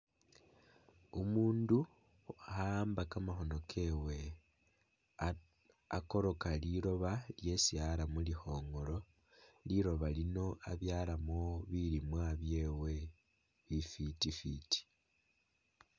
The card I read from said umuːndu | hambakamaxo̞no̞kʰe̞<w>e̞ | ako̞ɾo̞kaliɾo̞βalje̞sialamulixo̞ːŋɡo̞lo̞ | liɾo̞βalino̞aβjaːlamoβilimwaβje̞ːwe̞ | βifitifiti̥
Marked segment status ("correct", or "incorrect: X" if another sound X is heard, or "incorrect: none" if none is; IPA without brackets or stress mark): correct